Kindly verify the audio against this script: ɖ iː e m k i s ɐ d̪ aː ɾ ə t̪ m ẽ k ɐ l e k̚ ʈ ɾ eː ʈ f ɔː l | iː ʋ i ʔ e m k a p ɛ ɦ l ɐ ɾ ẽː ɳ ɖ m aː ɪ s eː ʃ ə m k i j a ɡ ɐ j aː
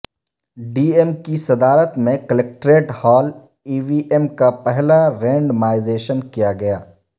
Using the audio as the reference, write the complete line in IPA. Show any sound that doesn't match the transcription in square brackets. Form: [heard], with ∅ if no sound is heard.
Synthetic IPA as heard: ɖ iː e m k i s ɐ d̪ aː ɾ ə t̪ m ẽ k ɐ l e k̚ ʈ ɾ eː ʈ [h] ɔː l | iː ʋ i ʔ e m k a p ɛ ɦ l [a] ɾ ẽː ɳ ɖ m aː ɪ [z] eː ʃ ə [n] k i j a ɡ ɐ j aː

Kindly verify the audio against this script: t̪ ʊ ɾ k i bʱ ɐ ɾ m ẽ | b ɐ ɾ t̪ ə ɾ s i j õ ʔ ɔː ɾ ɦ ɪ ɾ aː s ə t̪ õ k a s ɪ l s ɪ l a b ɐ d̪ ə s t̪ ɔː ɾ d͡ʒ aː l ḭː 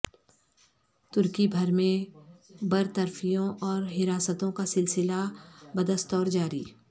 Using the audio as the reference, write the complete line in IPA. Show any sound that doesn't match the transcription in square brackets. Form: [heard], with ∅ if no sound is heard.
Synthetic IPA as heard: t̪ ʊ ɾ k i bʱ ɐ ɾ m ẽ | b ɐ ɾ t̪ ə ɾ [f] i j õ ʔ ɔː ɾ ɦ ɪ ɾ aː s ə t̪ õ k a s ɪ l s ɪ l a b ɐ d̪ ə s t̪ ɔː ɾ d͡ʒ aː [ɾ] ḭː

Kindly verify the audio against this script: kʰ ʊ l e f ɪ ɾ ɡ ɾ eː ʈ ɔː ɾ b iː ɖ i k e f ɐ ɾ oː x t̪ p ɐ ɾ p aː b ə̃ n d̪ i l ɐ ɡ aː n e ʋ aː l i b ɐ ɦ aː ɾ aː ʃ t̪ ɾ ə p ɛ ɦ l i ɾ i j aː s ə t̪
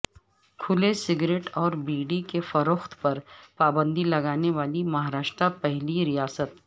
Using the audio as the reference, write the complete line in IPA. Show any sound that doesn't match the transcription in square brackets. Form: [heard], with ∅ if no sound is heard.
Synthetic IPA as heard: kʰ ʊ l e [s] ɪ [∅] ɡ ɾ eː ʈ ɔː ɾ b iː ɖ i k e f ɐ ɾ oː x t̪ p ɐ ɾ p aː b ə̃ n d̪ i l ɐ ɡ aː n e ʋ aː l i [m] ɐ ɦ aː ɾ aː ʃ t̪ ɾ [a] p ɛ ɦ l i ɾ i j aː s ə t̪

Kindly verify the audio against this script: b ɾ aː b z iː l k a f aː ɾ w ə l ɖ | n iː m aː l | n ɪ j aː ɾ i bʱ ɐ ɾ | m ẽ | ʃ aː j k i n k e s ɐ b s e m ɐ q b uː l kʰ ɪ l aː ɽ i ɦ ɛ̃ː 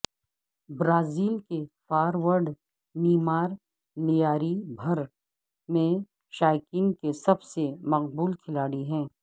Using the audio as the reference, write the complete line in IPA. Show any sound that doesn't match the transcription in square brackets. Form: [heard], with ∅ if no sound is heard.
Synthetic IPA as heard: b ɾ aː [∅] z iː l k [e] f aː ɾ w ə [ɾ] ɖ | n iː m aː [ɾ] | n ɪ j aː ɾ i bʱ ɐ ɾ | m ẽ | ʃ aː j k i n k e s ɐ b s e m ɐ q b uː l kʰ ɪ l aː ɽ i ɦ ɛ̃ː

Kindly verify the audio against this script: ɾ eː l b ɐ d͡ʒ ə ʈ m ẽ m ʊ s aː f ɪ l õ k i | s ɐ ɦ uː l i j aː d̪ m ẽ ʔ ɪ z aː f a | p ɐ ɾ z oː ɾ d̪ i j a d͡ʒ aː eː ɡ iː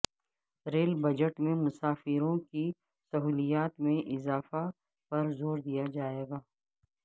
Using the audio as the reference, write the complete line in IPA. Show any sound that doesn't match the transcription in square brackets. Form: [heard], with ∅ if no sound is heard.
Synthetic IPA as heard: ɾ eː l b ɐ d͡ʒ ə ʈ m ẽ m ʊ s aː f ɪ [ɾ] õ k i | s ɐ ɦ uː l i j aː [t̪] m ẽ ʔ ɪ z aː f a | p ɐ ɾ z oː ɾ d̪ i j a d͡ʒ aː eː ɡ [aː]

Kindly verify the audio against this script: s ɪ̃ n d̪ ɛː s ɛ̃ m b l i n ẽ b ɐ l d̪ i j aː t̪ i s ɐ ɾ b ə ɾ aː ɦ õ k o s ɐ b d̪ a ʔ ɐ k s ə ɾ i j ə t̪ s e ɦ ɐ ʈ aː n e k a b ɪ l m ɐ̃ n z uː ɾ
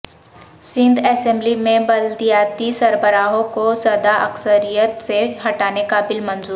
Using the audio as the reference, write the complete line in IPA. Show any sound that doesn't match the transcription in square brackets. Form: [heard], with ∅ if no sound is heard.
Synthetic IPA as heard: s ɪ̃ n d̪ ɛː s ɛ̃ m b l i [m] ẽ b ɐ l d̪ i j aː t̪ i s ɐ ɾ b ə ɾ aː ɦ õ k o s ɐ [∅] d̪ a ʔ ɐ k s ə ɾ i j ə t̪ s e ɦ ɐ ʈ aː n e k a b ɪ l m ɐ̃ n z uː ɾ

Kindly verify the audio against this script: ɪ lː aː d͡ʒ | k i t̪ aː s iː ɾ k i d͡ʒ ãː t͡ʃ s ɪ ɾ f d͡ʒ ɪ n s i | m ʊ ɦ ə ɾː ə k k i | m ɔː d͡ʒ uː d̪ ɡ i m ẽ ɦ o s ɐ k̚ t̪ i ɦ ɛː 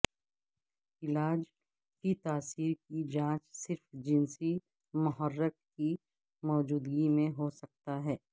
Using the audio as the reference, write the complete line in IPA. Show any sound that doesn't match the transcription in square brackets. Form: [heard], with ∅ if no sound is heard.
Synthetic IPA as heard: ɪ [l] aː d͡ʒ | k i t̪ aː s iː ɾ k i d͡ʒ ãː t͡ʃ s ɪ ɾ f d͡ʒ ɪ n s i | m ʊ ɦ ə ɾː ə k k i | m ɔː d͡ʒ uː d̪ ɡ i m ẽ ɦ o s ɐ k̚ t̪ [a] ɦ ɛː

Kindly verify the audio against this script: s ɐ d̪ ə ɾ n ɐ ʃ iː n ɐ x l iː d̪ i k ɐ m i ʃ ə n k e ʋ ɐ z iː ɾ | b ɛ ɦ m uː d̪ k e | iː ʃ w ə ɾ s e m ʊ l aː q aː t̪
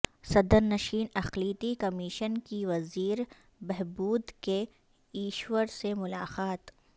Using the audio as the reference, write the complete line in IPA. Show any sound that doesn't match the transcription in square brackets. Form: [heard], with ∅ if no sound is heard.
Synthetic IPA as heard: s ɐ d̪ ə ɾ n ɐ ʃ iː n ɐ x l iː [t̪] i k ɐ m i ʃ ə n k [i] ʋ ɐ z iː ɾ | b ɛ ɦ [b] uː d̪ k e | iː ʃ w ə ɾ s e m ʊ l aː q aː t̪

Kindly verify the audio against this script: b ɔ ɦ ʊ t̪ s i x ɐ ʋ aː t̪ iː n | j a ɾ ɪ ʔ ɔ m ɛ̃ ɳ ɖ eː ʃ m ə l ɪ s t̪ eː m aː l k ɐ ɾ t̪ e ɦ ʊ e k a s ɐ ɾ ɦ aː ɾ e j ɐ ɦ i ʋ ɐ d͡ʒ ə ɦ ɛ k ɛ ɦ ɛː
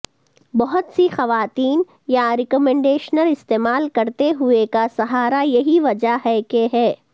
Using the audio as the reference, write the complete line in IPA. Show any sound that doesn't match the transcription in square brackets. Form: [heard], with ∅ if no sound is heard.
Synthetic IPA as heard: b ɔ ɦ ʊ t̪ s i x ɐ ʋ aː t̪ iː n | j a ɾ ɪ [k] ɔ m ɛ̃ ɳ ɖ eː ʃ [n] ə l ɪ s t̪ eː m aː l k ɐ ɾ t̪ e ɦ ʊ e k a s ɐ [∅] ɦ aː ɾ [a] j ɐ ɦ i ʋ ɐ d͡ʒ [a] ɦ ɛ k [e] ɦ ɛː

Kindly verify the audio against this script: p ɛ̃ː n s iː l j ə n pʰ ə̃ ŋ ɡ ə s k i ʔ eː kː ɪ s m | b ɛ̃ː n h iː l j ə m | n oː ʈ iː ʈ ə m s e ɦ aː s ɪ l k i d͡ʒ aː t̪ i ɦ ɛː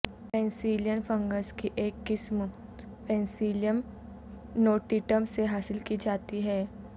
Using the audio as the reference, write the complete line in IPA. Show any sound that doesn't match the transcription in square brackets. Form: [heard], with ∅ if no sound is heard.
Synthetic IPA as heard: p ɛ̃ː n s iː l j ə n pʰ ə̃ ŋ ɡ ə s k i ʔ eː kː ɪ s m | [p] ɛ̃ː n [s] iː l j ə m | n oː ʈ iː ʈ ə m s e ɦ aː s ɪ l k i d͡ʒ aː t̪ i ɦ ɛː

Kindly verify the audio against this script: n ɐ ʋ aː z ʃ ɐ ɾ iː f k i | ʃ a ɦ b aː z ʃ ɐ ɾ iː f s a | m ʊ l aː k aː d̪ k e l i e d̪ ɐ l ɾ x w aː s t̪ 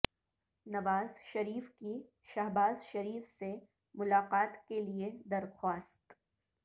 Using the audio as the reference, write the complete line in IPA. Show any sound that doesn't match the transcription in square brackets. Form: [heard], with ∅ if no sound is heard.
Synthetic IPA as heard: n ɐ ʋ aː z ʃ ɐ ɾ iː f k i | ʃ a ɦ b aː z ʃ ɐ ɾ iː f s [e] | m ʊ l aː [q] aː [t̪] k e l i e d̪ ɐ [∅] ɾ x w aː s t̪

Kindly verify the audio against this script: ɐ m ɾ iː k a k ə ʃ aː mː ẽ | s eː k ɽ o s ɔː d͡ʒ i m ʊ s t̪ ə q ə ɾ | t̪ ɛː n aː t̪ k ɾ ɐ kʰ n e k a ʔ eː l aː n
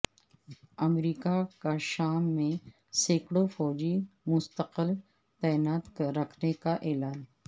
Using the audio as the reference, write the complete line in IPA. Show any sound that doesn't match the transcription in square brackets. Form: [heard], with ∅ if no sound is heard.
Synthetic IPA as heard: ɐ m ɾ iː k a k [a] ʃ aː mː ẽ | s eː k ɽ o [f] ɔː d͡ʒ i m ʊ s t̪ ə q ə [l] | t̪ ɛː n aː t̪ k ɾ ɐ kʰ n e k a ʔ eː l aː n

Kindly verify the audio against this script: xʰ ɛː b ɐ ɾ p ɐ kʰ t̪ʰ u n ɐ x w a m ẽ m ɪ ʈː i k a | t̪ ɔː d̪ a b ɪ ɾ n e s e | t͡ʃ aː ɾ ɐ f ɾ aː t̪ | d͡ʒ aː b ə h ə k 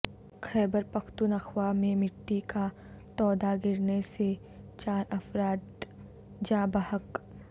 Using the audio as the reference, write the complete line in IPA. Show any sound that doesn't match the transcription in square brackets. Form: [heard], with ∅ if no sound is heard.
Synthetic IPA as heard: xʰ ɛː b [ə] ɾ p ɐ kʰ [t̪] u n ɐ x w a m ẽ m ɪ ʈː i k a | t̪ ɔː d̪ a [ɡ] ɪ ɾ n e s e | t͡ʃ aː ɾ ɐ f ɾ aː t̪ | d͡ʒ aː b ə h ə k

